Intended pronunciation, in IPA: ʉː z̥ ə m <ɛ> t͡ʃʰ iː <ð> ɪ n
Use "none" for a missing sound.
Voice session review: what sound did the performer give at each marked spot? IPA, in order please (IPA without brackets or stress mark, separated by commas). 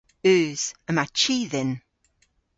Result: a, ð